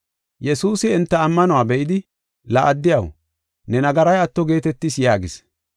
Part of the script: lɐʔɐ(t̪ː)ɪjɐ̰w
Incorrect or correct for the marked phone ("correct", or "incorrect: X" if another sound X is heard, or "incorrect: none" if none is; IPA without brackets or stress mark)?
incorrect: d̪ː